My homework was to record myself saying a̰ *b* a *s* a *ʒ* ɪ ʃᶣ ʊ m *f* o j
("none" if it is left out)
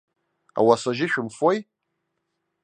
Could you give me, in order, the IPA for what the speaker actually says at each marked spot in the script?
w, s, ʒ, f

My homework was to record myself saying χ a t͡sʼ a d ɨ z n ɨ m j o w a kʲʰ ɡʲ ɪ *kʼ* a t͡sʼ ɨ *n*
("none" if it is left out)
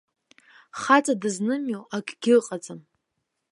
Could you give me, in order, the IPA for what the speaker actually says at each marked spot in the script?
qʼ, m

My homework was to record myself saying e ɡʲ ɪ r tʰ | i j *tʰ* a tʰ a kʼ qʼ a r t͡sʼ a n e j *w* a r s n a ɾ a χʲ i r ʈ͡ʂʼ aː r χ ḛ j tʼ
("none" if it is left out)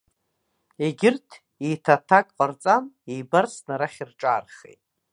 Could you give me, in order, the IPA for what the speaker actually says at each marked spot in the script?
tʰ, b

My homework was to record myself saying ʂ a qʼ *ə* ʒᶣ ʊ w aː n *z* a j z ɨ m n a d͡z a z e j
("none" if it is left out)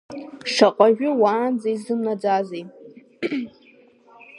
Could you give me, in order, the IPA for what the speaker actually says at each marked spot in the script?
a, d͡z

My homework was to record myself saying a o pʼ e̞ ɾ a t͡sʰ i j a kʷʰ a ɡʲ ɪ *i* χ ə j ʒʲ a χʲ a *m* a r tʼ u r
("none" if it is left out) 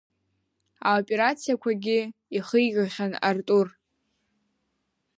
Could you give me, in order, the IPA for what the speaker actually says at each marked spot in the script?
i, n

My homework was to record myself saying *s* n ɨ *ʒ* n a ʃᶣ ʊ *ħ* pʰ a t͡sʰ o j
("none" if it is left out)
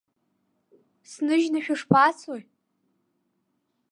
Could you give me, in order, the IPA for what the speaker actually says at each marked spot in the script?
s, ʒ, ʂ

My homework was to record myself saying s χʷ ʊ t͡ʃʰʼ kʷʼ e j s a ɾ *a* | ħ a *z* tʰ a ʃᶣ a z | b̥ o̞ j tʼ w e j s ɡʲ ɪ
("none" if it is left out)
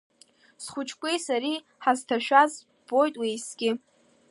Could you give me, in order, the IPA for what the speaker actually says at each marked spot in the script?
i, z

